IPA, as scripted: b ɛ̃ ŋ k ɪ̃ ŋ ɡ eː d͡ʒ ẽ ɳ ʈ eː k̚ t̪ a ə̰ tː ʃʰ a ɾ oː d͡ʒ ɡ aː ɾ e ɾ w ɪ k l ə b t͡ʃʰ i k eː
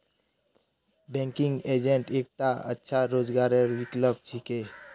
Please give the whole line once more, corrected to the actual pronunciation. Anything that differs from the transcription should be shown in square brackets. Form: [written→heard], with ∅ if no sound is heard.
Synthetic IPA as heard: b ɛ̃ ŋ k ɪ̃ ŋ ɡ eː d͡ʒ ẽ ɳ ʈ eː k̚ t̪ a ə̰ tː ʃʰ a ɾ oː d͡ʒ ɡ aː ɾ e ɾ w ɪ k l ə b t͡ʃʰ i k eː